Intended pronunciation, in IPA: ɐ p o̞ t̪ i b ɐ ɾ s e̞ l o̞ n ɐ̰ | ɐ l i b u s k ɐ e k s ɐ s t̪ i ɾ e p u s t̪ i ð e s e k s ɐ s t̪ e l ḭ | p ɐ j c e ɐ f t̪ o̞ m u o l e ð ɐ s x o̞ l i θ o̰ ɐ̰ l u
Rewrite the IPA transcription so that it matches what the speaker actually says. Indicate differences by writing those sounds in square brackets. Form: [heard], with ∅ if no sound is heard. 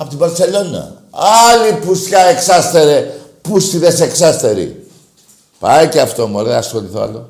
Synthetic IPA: ɐ p o̞ t̪ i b ɐ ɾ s e̞ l o̞ n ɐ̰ | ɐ l i [p] u s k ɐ e k s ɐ s t̪ [e] ɾ e p u s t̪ i ð e s e k s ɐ s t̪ e [ɾ] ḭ | p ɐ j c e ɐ f t̪ o̞ m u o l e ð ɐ s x o̞ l i θ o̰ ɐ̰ l [o]